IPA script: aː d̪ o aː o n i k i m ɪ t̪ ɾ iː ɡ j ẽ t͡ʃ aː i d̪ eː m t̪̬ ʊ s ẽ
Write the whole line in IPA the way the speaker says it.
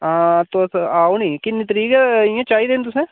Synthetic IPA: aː t̪ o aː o n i k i n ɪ t̪ ɾ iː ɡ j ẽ t͡ʃ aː i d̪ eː n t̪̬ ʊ s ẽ